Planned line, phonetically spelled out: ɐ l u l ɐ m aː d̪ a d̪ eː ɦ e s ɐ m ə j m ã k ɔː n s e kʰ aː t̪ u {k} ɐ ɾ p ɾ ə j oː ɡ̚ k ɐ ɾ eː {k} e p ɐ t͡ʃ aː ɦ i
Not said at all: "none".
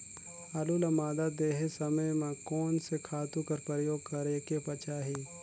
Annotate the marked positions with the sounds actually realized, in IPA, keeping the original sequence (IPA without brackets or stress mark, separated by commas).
k, k